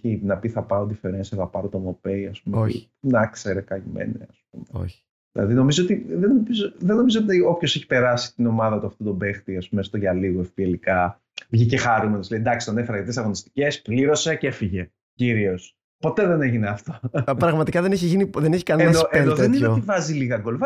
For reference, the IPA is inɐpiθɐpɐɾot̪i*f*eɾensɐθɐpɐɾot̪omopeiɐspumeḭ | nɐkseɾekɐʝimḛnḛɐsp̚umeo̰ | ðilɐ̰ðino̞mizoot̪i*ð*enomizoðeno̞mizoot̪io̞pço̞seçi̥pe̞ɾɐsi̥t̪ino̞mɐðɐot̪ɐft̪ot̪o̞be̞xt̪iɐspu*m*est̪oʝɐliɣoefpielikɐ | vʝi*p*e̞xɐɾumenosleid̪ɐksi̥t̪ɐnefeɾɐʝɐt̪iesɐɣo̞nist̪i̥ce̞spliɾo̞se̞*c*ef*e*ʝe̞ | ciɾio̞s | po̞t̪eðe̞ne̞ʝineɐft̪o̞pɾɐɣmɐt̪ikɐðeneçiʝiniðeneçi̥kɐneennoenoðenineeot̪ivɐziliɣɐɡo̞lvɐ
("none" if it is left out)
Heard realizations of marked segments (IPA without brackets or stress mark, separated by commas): f, ð, m, c, c, i